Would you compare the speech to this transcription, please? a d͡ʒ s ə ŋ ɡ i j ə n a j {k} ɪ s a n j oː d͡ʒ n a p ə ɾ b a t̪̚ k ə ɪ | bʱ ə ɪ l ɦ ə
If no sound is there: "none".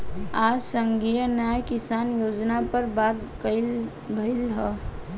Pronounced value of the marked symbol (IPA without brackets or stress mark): k